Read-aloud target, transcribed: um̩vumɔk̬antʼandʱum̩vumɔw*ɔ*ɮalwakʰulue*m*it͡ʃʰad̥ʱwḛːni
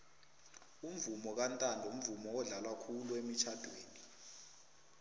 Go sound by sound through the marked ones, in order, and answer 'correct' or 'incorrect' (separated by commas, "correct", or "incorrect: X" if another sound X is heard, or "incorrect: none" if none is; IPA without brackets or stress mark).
correct, correct